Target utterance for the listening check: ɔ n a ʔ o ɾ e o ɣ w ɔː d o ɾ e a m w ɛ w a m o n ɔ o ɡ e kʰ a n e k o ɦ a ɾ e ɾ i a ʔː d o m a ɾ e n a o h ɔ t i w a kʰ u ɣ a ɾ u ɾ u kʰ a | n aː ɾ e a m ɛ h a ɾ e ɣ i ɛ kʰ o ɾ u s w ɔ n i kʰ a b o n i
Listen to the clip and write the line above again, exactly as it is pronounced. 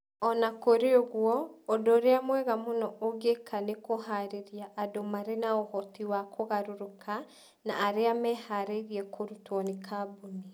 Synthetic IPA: ɔ n a k o ɾ e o ɣ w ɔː d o ɾ e a m w ɛ ɣ a m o n ɔ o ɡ e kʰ a n e k o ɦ a ɾ e ɾ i a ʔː d o m a ɾ e n a o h ɔ t i w a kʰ o ɣ a ɾ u ɾ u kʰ a | n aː ɾ e a m ɛ h a ɾ e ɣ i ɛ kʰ o ɾ u t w ɔ n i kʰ a b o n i